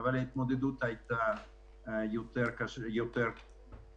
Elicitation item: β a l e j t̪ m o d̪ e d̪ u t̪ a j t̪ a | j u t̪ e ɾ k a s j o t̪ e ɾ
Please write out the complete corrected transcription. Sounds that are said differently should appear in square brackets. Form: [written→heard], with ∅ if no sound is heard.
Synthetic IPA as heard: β a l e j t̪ m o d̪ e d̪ u t̪ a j t̪ a | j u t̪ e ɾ k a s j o t̪ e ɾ